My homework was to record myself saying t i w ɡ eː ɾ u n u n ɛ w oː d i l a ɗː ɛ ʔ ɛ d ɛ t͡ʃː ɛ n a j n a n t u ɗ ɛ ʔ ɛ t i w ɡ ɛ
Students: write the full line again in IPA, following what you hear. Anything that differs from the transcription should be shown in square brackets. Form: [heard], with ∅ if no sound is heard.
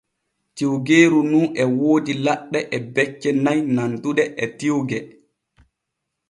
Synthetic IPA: t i w ɡ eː ɾ u n u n ɛ w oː d i l a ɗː ɛ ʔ ɛ [b] ɛ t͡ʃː ɛ n a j n a n t u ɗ ɛ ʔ ɛ t i w ɡ ɛ